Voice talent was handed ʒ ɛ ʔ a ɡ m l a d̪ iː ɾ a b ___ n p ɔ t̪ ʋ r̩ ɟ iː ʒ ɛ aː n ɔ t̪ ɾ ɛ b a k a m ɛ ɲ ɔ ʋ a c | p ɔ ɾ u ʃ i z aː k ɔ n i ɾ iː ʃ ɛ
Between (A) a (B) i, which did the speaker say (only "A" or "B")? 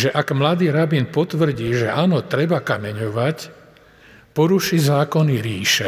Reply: B